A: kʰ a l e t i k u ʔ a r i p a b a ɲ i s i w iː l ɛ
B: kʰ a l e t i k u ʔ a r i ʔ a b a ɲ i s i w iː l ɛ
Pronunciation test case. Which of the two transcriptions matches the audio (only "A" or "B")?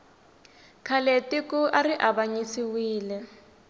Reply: B